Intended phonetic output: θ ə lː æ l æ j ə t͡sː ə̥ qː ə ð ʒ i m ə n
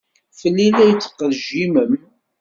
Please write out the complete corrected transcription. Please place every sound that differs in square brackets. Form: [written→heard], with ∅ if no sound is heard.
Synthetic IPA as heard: [θ→f] ə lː [æ→i] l æ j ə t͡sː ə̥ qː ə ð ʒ i m ə [n→m]